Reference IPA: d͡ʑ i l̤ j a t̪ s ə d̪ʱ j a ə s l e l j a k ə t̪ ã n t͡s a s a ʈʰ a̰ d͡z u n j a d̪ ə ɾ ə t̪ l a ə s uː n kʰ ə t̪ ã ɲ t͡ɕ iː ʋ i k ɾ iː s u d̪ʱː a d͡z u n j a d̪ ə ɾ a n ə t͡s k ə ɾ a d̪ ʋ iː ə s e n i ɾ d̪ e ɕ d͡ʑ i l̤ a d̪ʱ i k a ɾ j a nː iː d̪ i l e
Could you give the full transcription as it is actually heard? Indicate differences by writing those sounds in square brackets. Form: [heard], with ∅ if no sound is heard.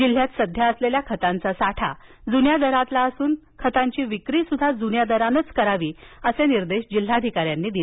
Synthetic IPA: d͡ʑ i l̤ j a t̪ s ə d̪ʱ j a ə s l e l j a [kʰ] ə t̪ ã n t͡s a s a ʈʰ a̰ d͡z u n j a d̪ ə ɾ [a] t̪ l a ə s uː n kʰ ə t̪ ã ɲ t͡ɕ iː ʋ i k ɾ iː s u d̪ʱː a d͡z u n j a d̪ ə ɾ a n ə t͡s k ə ɾ a [∅] ʋ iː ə s e n i ɾ d̪ e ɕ d͡ʑ i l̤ a d̪ʱ i k a ɾ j a nː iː d̪ i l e